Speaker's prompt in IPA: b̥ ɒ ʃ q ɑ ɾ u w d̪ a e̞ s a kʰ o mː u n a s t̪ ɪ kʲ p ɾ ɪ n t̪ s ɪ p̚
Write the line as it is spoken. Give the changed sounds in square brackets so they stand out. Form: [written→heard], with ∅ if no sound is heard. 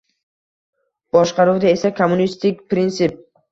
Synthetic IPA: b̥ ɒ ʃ q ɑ ɾ u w d̪ a e̞ s a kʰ o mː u n [a→i] s t̪ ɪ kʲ p ɾ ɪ n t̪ s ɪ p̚